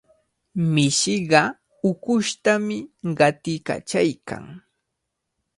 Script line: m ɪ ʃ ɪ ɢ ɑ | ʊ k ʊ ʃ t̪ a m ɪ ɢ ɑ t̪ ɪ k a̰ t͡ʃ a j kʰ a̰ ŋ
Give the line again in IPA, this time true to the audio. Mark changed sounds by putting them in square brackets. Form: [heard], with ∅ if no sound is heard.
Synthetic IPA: m ɪ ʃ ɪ ɢ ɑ | ʊ k ʊ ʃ t̪ a m ɪ ɢ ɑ t̪ ɪ k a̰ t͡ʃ a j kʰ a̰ ŋ